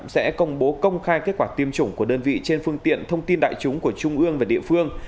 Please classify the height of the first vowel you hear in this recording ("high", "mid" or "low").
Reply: mid